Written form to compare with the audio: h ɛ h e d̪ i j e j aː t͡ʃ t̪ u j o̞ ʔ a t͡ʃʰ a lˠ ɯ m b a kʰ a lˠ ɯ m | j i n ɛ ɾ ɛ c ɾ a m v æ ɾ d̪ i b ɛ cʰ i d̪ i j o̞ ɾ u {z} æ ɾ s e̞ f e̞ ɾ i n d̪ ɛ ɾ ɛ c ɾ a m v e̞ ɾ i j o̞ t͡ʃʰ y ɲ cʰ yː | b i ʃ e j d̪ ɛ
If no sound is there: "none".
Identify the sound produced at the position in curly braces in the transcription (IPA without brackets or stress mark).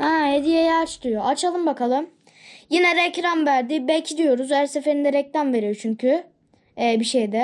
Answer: z